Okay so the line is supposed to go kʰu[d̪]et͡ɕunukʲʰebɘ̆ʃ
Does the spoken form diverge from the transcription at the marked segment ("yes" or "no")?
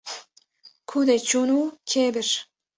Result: no